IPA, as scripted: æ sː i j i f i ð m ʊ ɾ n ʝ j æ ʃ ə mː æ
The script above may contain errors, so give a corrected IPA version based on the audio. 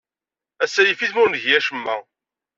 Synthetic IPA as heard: æ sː æ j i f i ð m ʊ ɾ n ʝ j æ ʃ ə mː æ

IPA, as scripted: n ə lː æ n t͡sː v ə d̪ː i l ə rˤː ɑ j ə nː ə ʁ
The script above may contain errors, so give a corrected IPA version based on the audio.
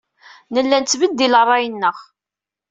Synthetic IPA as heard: n ə lː æ n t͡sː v ə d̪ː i l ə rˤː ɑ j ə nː ə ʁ

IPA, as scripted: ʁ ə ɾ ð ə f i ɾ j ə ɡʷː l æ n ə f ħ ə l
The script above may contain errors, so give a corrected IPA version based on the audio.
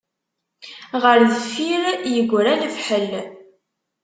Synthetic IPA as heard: ʁ ə ɾ ð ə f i ɾ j ə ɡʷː ɾ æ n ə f ħ ə l

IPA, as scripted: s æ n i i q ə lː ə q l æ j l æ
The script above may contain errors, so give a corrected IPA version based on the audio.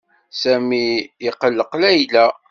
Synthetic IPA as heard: s æ m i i q ə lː ə q l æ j l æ

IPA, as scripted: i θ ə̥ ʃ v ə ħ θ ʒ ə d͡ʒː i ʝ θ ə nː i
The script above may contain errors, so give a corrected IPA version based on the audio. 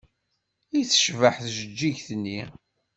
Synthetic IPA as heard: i θ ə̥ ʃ v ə ħ θ ʒ ə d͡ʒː i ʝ θ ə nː i

